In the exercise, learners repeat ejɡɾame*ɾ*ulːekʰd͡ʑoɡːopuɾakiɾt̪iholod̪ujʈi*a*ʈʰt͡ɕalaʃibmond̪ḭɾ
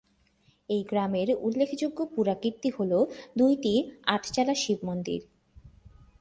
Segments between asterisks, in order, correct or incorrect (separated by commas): correct, correct